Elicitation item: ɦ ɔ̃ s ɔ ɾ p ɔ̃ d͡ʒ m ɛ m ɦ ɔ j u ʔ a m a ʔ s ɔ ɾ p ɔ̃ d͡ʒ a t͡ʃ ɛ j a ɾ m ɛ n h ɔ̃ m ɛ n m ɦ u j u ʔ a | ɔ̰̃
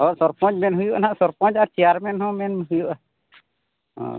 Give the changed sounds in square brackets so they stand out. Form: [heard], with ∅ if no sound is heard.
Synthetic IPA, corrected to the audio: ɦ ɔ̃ s ɔ ɾ p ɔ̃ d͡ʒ m ɛ [n] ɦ [u] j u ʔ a [n] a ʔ s ɔ ɾ p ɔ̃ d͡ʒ a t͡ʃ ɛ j a ɾ m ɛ n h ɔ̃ m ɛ n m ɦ u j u ʔ a | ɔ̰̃